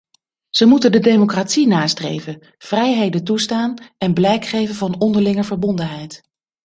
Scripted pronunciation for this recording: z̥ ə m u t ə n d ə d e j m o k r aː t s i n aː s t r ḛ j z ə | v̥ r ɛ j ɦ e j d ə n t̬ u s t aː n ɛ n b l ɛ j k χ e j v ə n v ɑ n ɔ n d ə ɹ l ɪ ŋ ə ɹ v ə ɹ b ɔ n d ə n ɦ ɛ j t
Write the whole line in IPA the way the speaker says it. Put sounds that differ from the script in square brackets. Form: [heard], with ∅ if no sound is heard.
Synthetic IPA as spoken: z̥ ə m u t ə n d ə d e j m o k r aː t s i n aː s t r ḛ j [v] ə | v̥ r ɛ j ɦ e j d ə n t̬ u s t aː n ɛ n b l ɛ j k χ e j v ə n v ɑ n ɔ n d ə ɹ l ɪ ŋ ə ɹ v ə ɹ b ɔ n d ə n ɦ ɛ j t